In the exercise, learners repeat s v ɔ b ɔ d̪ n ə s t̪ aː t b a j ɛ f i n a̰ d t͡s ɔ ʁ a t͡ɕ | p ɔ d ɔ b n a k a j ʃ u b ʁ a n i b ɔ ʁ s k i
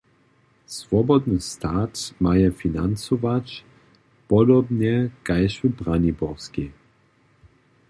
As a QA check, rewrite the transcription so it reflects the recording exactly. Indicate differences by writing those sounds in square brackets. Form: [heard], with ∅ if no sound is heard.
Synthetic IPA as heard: s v ɔ b ɔ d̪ n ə s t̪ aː t [m] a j ɛ f i n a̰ [n] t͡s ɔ [v] a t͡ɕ | p ɔ d ɔ b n [ɛ] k a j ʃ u b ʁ a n i b ɔ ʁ s k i